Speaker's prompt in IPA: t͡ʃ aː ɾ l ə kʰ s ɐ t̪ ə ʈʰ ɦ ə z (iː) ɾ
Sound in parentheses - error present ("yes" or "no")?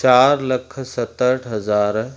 yes